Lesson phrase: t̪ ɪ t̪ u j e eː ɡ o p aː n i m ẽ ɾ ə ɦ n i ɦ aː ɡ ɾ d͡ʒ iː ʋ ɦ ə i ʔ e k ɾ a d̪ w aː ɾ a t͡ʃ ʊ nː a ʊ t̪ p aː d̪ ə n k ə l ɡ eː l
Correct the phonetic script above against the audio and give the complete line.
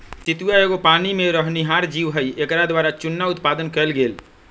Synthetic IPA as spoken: t̪ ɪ t̪ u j a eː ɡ o p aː n i m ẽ ɾ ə ɦ n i ɦ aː ɾ d͡ʒ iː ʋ ɦ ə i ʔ e k ɾ a d̪ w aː ɾ a t͡ʃ ʊ nː a ʊ t̪ p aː d̪ ə n k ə l ɡ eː l